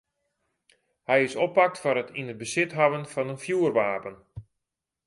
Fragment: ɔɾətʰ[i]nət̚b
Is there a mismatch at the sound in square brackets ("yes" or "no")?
no